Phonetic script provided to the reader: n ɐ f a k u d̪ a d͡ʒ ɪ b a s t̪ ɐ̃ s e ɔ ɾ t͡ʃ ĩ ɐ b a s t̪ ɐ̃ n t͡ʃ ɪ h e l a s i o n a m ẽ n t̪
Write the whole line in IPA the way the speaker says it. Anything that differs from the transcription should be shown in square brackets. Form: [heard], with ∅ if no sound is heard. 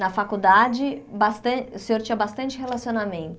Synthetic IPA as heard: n ɐ f a k u d̪ a d͡ʒ ɪ b a s t̪ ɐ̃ s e [o] ɾ t͡ʃ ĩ ɐ b a s t̪ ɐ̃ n t͡ʃ ɪ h e l a s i o n a m ẽ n t̪